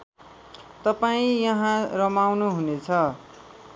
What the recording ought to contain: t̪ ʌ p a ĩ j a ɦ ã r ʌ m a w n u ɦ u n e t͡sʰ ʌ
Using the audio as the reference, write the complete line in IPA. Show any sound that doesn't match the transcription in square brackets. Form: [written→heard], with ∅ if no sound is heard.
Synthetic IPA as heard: t̪ ʌ p a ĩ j [a→ʌ] ɦ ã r ʌ m a w n u ɦ u n e t͡sʰ ʌ